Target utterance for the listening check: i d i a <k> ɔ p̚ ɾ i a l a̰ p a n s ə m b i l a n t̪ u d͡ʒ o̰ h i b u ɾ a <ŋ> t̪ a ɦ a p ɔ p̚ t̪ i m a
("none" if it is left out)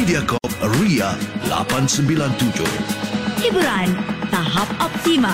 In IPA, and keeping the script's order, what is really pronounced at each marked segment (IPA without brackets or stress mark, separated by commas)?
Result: k, n